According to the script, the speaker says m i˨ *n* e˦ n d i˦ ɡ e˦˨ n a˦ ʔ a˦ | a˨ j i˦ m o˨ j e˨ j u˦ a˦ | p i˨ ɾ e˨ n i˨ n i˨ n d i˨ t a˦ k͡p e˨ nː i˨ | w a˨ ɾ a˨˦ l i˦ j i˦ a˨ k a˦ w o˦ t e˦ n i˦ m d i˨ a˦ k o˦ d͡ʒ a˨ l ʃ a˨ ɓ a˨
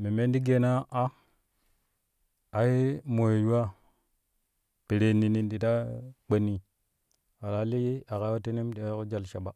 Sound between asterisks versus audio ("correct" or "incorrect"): incorrect